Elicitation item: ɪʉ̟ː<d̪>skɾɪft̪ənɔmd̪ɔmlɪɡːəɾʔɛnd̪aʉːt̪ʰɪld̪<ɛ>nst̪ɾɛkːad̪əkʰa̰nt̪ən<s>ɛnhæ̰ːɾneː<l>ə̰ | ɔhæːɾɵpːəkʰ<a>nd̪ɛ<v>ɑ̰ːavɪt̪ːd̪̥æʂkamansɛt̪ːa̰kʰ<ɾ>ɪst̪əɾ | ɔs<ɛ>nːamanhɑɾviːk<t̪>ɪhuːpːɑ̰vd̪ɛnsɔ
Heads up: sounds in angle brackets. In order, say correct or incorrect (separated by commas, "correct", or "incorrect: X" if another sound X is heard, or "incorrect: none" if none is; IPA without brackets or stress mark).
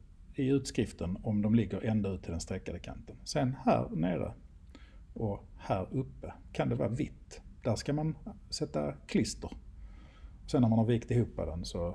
incorrect: t̪, correct, correct, incorrect: ɾ, correct, correct, incorrect: l, correct, correct